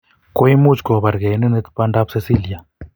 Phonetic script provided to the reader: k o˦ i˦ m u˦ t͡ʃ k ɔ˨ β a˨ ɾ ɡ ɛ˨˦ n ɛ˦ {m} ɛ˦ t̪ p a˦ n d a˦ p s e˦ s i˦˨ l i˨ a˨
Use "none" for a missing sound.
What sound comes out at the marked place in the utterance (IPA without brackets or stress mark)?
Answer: n